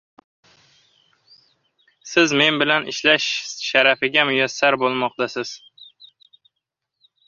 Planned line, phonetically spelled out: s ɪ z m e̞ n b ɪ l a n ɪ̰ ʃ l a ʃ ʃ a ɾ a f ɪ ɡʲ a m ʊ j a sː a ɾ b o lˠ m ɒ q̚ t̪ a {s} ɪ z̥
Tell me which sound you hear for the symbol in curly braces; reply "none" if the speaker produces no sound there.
s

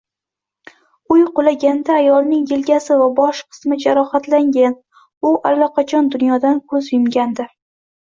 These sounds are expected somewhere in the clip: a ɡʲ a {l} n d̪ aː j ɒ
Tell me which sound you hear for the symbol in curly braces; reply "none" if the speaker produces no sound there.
none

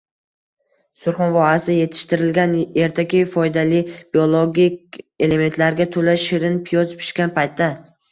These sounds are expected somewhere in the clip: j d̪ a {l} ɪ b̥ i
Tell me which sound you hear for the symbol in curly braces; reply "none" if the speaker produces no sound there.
l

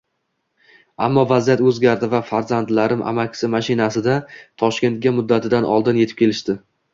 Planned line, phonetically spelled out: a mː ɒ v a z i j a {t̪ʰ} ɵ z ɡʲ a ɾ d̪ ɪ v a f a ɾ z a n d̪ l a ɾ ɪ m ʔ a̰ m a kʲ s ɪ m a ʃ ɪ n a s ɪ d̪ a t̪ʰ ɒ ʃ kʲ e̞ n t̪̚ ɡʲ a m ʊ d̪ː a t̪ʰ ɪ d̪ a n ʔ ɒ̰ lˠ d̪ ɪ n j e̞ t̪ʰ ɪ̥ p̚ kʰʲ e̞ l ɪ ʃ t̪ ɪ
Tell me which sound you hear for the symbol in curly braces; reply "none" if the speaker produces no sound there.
t̪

